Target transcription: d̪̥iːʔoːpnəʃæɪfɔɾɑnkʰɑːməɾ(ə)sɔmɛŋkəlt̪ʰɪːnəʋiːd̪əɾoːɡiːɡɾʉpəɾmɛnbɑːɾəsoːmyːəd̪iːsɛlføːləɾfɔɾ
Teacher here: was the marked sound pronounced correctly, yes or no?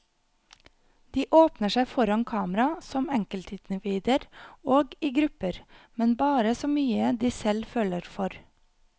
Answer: no